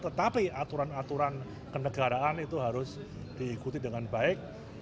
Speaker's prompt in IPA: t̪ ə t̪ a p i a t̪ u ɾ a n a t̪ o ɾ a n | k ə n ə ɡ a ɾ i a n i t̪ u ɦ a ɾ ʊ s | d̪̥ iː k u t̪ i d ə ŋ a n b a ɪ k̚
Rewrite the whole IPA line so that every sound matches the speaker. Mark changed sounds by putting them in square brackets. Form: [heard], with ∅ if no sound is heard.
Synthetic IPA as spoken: t̪ ə t̪ a p i a t̪ u ɾ a n a t̪ [u] ɾ a n | k ə n ə ɡ a ɾ [a] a n i t̪ u ɦ a ɾ ʊ s | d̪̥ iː k u t̪ i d ə ŋ a n b a ɪ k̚

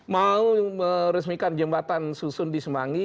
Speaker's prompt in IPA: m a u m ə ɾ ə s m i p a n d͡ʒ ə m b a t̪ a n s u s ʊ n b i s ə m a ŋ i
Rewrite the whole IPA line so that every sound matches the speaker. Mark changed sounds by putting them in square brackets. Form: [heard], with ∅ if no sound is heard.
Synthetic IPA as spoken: m a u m ə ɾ ə s m i [k] a n d͡ʒ ə m b a t̪ a n s u s ʊ n [d] i s ə m a ŋ i

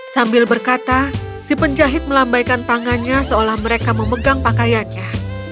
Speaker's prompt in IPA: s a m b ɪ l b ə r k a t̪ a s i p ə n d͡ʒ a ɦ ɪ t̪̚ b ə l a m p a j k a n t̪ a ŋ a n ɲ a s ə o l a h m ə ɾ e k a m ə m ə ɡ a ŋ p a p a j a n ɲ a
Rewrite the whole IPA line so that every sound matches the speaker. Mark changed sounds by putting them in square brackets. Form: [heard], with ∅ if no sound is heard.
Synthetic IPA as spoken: s a m b ɪ l b ə r k a t̪ a s i p ə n d͡ʒ a ɦ ɪ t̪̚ [m] ə l a m [b] a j k a n t̪ a ŋ a n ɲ a s ə o l a h m ə ɾ e k a m ə m ə ɡ a ŋ p a [k] a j a n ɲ a

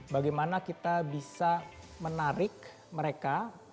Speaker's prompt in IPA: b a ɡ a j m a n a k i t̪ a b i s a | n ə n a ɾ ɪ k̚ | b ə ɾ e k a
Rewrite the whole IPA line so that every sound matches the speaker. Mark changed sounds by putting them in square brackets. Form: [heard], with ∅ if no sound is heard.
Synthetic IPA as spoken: b a ɡ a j m a n a k i t̪ a b i s a | [m] ə n a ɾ ɪ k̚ | [m] ə ɾ e k a

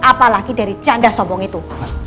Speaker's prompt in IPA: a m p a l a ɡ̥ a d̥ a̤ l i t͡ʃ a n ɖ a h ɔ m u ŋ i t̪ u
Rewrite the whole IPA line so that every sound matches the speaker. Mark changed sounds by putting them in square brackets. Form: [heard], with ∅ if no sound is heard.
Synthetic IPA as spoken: a [∅] p a l a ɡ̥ [i] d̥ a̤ [ɾ] i t͡ʃ a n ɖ a [s] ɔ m [ɔ] ŋ i t̪ u

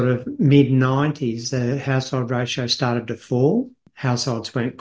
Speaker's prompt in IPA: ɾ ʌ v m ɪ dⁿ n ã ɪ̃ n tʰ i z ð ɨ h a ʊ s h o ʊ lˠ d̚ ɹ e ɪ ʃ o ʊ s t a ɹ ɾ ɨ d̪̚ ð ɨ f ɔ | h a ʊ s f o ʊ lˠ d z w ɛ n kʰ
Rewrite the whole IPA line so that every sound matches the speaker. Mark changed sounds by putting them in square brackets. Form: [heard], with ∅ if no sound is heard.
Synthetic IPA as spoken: ɾ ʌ v m ɪ dⁿ n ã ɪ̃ n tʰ i z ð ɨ h a ʊ s h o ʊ lˠ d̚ ɹ e ɪ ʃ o ʊ s t [ɑ] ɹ ɾ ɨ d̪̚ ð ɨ f ɔ | h a ʊ s [h] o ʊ lˠ d z w [ɛ̃] n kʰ

